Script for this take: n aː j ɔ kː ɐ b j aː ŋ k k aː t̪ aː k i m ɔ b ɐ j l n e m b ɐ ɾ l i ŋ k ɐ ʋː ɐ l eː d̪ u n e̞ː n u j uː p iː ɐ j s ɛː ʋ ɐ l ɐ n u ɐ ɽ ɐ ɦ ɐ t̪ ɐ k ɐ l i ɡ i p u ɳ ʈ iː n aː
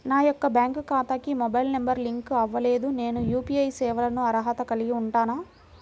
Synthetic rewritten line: n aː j ɔ kː ɐ b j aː ŋ k k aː t̪ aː k i m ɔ b ɐ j l n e m b ɐ ɾ l i ŋ k ɐ ʋː ɐ l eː d̪ u n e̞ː n u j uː p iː ɐ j s ɛː ʋ ɐ l ɐ n u ɐ ɾ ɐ ɦ ɐ t̪ ɐ k ɐ l i ɡ i u ɳ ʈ aː n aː